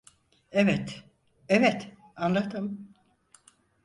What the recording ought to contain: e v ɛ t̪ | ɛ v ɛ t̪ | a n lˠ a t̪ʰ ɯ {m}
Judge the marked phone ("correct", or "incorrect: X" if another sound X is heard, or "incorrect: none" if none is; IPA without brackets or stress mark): correct